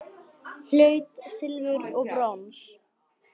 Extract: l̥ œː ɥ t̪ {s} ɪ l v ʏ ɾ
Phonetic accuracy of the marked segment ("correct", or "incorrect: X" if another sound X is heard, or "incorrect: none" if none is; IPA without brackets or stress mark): correct